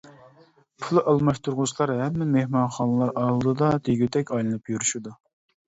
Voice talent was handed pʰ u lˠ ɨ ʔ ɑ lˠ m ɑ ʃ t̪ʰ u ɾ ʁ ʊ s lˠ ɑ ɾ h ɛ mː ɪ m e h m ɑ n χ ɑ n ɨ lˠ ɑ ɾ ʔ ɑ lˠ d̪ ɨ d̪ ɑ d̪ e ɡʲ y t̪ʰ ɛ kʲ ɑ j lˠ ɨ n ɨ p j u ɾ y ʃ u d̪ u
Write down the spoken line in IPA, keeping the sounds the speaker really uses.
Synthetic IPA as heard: pʰ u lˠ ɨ ʔ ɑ lˠ m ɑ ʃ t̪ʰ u ɾ ʁ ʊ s lˠ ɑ ɾ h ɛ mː ɪ m e h m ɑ n χ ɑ n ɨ lˠ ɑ ɾ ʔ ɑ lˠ d̪ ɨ d̪ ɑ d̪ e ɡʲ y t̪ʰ ɛ kʲ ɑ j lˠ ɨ n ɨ p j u ɾ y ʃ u d̪ u